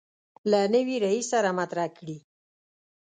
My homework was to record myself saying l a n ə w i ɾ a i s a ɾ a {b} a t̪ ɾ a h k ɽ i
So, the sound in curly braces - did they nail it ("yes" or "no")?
no